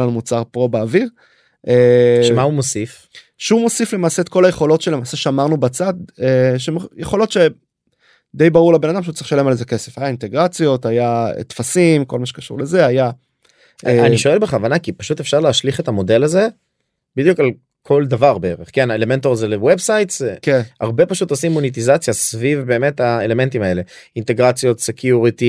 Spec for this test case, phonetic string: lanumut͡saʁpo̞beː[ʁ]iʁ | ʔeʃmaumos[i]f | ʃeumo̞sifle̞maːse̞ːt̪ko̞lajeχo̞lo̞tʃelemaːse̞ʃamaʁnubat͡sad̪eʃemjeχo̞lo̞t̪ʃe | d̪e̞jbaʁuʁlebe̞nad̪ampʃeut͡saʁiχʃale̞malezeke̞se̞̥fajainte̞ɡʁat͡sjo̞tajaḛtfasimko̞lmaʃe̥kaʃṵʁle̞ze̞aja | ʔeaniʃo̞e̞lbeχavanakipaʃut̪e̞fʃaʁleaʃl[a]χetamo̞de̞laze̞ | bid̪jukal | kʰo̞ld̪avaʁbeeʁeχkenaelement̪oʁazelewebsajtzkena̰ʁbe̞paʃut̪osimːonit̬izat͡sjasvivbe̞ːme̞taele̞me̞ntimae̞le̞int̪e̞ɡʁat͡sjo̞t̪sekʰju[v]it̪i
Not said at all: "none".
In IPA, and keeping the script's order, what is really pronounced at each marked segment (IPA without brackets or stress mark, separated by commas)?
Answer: v, i, i, ʁ